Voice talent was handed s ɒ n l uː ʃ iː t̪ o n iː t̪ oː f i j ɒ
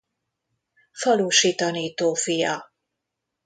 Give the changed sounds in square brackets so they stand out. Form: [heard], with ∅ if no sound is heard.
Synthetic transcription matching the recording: [f] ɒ [∅] l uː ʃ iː t̪ [ɒ] n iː t̪ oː f i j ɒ